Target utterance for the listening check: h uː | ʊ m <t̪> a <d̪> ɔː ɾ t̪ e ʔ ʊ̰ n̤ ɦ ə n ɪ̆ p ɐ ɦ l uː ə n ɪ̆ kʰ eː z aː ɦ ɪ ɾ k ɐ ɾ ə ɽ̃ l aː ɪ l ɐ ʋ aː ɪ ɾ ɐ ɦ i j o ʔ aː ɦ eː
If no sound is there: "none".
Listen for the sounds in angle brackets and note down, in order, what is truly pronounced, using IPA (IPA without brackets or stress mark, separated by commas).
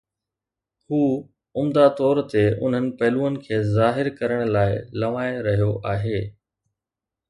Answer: d̪, t̪